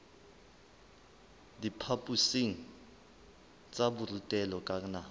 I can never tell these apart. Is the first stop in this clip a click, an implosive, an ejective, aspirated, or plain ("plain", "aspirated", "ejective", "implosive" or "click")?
plain